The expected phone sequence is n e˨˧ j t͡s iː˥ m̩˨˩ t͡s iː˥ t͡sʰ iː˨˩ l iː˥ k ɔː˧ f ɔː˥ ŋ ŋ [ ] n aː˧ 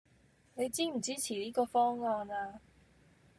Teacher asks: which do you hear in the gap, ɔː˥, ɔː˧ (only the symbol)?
ɔː˧